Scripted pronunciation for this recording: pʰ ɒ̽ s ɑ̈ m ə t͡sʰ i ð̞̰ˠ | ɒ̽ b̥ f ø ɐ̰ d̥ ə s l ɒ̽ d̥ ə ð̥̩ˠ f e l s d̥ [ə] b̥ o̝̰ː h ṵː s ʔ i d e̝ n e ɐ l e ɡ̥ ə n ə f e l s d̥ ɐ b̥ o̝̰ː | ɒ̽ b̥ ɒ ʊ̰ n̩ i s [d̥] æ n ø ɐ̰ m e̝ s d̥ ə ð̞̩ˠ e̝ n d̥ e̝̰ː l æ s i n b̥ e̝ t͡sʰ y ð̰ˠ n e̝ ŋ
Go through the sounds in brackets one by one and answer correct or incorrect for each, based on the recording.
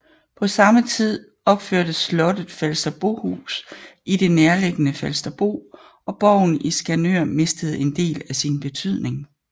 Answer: incorrect, incorrect

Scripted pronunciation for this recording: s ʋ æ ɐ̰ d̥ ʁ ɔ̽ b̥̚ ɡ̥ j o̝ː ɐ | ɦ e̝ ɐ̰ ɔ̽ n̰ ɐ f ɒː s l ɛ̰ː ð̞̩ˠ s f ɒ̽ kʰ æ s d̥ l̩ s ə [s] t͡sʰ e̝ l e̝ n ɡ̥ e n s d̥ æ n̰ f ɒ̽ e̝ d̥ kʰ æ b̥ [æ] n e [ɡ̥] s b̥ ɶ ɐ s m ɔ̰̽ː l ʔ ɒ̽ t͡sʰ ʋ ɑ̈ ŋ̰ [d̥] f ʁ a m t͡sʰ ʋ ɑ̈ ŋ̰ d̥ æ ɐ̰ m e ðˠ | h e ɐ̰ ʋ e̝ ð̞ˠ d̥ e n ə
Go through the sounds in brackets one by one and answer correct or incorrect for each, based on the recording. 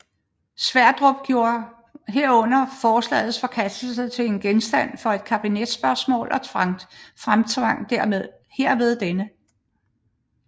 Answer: incorrect, incorrect, incorrect, correct

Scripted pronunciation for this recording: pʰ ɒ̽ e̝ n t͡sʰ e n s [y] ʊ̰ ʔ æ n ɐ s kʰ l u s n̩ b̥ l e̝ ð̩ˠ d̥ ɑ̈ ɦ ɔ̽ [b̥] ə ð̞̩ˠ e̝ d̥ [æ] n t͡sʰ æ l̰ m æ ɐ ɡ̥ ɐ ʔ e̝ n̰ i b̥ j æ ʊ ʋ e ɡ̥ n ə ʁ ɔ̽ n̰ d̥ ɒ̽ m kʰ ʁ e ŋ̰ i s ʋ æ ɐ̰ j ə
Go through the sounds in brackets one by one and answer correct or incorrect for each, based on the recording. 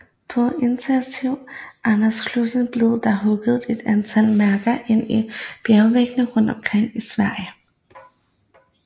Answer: incorrect, incorrect, correct

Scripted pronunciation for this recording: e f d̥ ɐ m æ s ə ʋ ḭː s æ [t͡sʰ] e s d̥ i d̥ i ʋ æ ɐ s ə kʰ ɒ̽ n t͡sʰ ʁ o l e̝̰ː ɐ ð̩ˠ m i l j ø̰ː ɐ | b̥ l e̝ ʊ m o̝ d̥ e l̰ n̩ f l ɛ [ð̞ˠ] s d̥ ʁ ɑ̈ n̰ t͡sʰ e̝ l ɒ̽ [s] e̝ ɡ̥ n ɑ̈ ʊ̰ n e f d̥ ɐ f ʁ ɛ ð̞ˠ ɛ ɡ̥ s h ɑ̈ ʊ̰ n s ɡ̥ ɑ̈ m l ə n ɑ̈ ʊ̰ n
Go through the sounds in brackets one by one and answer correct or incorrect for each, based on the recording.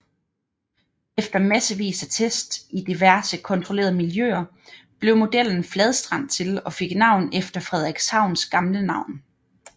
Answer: correct, correct, incorrect

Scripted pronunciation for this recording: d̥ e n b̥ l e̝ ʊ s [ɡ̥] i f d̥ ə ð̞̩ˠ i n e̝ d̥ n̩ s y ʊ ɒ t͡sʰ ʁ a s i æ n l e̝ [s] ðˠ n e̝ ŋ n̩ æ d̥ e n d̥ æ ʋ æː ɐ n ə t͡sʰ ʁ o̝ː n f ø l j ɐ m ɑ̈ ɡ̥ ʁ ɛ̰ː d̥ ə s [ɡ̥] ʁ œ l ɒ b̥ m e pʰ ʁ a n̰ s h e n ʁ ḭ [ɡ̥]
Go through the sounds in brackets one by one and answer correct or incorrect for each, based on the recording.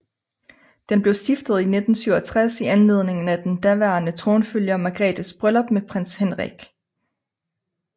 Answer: incorrect, incorrect, incorrect, correct

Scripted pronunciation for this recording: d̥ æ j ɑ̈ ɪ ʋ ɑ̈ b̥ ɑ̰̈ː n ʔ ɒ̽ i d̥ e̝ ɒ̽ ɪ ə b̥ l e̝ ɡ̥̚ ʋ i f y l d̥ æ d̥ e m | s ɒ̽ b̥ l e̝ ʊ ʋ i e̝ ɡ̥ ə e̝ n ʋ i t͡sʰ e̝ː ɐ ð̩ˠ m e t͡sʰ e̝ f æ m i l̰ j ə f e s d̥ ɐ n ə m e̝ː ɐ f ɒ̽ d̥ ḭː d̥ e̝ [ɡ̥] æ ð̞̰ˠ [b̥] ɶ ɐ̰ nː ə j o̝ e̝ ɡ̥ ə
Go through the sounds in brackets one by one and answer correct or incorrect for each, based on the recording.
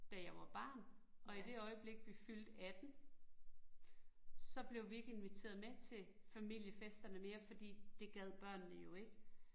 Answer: correct, correct

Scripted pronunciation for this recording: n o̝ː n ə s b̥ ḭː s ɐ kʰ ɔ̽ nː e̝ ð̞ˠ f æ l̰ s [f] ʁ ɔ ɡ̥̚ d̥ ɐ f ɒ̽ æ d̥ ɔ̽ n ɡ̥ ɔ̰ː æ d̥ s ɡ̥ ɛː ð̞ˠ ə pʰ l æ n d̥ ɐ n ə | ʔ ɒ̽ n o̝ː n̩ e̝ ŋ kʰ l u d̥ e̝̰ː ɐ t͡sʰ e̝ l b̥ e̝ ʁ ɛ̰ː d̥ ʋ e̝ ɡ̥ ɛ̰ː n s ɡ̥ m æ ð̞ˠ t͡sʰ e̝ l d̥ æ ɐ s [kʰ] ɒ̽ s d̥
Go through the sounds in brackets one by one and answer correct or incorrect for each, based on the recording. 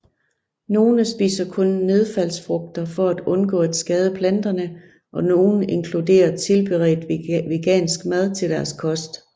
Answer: correct, correct

